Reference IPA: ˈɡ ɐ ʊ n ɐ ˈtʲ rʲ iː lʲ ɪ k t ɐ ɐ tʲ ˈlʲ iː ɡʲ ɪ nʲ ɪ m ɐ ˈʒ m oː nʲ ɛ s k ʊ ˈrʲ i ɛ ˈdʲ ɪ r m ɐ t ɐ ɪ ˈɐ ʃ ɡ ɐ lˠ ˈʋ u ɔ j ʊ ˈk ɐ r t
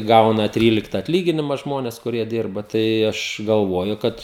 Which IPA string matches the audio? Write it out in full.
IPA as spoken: ˈɡ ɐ ʊ n ɐ ˈtʲ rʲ iː lʲ ɪ k t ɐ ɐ tʲ ˈlʲ iː ɡʲ ɪ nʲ ɪ m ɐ ˈʒ m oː nʲ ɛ s k ʊ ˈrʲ i ɛ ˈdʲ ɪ r b ɐ t ɐ ɪ ˈɐ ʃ ɡ ɐ lˠ ˈʋ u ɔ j ʊ ˈk ɐ t